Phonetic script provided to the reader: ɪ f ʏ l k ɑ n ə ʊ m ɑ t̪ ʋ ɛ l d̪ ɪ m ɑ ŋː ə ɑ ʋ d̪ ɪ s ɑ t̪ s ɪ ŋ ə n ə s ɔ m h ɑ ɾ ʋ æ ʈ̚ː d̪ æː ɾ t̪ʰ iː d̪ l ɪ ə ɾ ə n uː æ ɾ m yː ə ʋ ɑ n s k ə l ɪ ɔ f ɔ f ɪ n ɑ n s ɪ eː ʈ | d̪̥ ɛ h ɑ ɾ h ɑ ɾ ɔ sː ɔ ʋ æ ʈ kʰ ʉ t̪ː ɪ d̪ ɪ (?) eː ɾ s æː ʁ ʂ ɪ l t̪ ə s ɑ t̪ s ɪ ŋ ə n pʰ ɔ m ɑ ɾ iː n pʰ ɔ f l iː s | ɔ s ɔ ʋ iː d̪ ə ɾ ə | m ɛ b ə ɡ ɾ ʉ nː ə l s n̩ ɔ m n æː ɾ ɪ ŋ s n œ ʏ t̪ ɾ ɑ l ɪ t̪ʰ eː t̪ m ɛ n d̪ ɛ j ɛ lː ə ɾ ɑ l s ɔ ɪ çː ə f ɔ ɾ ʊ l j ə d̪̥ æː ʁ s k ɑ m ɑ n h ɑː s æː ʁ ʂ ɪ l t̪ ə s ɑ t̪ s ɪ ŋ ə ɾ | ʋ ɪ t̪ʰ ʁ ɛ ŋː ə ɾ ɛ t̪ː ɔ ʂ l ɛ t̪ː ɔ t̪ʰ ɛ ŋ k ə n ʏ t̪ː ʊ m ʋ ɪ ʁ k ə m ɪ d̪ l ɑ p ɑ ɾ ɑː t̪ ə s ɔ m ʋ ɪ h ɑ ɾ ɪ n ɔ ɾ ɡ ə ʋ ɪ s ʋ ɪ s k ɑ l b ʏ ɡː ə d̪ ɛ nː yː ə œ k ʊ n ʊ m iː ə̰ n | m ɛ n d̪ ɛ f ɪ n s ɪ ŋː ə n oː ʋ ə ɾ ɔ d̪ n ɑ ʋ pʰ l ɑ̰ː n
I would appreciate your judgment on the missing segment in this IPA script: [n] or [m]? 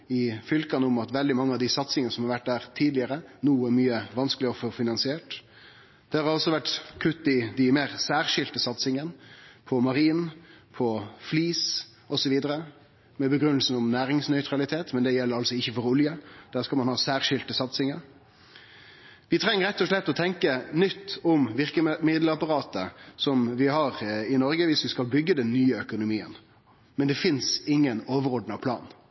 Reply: m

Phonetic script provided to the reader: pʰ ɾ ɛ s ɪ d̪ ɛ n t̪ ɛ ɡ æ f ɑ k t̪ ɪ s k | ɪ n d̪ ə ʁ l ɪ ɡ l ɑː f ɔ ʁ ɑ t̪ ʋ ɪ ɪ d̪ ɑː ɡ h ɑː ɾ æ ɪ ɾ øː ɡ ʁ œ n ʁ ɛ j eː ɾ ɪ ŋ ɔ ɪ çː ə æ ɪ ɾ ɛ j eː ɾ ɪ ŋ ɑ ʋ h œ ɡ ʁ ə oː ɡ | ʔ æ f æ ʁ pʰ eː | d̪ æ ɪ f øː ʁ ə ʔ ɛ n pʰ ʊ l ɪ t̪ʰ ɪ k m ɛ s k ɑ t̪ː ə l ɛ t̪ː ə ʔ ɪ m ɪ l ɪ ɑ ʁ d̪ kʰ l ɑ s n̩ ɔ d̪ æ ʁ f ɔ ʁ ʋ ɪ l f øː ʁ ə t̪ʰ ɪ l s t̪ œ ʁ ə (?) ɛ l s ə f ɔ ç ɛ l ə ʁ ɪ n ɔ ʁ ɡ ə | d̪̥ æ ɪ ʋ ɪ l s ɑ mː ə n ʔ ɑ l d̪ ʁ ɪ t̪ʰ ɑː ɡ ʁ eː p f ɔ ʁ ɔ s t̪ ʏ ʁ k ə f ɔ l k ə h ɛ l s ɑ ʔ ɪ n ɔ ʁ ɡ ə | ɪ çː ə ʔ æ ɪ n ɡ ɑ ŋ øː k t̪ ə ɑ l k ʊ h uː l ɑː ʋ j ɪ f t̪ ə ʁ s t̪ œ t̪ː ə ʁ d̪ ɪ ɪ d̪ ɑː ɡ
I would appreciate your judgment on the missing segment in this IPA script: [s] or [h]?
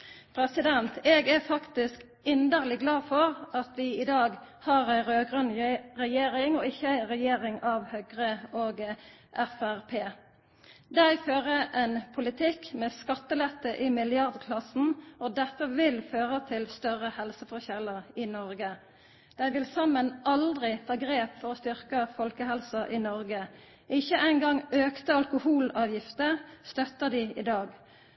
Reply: h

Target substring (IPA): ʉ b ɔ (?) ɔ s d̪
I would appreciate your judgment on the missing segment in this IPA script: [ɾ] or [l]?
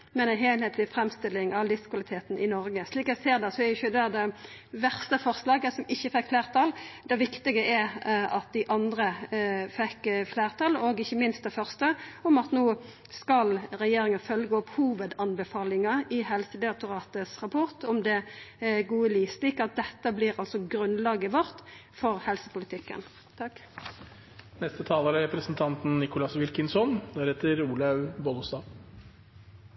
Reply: l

